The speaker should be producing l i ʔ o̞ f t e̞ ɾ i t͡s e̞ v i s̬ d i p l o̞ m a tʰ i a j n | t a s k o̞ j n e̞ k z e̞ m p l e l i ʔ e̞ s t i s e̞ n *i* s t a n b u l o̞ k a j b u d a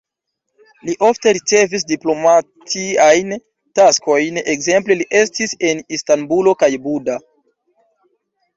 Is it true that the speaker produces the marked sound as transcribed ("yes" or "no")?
yes